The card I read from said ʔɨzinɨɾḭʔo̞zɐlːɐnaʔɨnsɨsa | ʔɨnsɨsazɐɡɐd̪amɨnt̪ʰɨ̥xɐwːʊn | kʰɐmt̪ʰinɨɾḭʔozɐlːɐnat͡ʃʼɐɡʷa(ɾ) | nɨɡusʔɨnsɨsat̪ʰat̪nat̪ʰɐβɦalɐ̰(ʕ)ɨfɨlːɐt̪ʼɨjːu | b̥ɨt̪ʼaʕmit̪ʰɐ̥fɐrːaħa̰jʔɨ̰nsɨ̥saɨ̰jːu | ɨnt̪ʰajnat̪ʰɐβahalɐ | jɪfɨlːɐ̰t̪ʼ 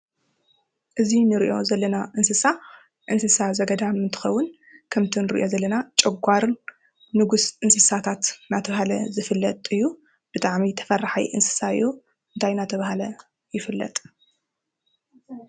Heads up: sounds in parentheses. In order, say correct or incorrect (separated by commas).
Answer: correct, incorrect